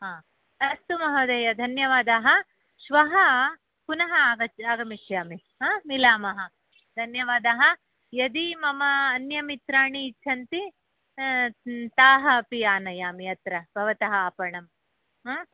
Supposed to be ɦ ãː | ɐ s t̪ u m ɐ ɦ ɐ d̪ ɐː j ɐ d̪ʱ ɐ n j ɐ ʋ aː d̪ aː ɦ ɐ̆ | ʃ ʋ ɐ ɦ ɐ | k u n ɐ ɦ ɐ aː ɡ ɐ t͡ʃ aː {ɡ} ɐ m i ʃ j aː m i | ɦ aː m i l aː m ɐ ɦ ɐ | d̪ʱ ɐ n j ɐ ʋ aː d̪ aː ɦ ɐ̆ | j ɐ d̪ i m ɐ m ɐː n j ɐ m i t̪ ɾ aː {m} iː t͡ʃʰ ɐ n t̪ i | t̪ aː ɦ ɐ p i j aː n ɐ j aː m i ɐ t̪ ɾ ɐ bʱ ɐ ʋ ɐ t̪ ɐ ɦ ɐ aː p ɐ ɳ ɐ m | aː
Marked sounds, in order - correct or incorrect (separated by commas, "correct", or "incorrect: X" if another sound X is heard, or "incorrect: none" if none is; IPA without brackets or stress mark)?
correct, incorrect: ɳ